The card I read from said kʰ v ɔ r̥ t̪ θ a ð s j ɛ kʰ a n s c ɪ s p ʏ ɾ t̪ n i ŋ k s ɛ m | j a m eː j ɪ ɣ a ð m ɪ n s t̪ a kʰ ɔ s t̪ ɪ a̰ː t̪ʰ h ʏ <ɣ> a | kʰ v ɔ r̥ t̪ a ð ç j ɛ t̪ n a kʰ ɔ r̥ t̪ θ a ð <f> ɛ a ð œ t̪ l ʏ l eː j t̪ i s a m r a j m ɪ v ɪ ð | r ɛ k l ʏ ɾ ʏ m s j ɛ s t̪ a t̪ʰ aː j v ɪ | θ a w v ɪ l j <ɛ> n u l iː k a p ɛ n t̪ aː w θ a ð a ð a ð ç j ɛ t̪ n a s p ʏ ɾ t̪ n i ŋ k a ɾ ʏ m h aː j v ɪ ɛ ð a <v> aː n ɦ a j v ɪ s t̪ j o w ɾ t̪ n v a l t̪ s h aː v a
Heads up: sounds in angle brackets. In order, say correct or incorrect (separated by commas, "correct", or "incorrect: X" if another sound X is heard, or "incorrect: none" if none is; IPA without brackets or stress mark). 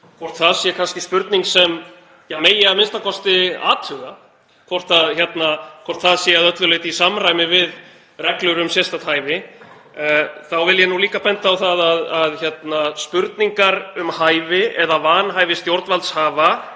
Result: correct, incorrect: s, correct, correct